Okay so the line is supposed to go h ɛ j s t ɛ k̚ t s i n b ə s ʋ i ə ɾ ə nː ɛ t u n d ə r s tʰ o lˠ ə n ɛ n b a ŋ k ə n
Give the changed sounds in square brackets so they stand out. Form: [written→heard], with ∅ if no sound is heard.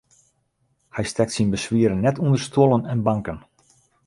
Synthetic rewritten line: h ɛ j s t ɛ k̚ t s i n b ə s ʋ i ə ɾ ə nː ɛ t u n d ə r s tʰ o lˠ ə n ɛ n b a ŋ k ə n